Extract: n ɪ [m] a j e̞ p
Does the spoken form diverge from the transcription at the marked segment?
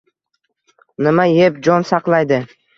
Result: no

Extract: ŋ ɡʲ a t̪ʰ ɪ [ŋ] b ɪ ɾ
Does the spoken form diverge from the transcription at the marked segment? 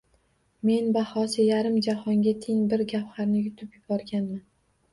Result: no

